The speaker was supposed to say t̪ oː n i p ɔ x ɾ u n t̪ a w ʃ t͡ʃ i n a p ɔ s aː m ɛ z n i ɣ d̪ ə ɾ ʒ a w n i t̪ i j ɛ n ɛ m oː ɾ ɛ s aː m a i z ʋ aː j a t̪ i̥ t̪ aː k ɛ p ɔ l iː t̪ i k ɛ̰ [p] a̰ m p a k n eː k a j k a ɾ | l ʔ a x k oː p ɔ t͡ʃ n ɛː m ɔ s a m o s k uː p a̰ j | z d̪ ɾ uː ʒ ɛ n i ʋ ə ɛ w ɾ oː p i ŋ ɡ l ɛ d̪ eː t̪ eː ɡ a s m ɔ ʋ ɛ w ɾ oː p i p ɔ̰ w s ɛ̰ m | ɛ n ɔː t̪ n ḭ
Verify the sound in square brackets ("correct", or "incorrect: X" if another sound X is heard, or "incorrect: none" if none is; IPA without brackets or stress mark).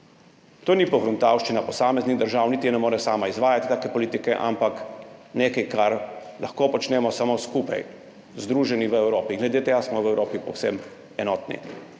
incorrect: ʔ